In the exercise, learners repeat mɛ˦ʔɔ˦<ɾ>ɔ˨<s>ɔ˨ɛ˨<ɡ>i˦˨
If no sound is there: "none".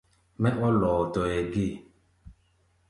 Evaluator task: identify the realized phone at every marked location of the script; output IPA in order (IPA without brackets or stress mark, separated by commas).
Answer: l, t, ɡ